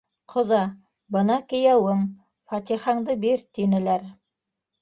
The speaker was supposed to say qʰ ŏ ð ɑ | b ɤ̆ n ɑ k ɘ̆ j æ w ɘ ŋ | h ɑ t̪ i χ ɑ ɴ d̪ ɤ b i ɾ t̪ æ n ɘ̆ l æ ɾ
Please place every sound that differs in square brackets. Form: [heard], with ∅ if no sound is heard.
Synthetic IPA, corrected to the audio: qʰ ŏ ð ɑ | b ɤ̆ n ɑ k ɘ̆ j æ w ɘ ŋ | [f] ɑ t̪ i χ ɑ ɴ d̪ ɤ b i ɾ t̪ [i] n ɘ̆ l æ ɾ